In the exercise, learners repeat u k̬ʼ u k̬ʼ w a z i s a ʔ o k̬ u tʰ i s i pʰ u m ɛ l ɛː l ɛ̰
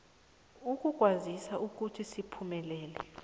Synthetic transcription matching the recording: u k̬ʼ u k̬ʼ w a z i s a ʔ u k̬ u tʰ i s i pʰ u m ɛ l ɛː l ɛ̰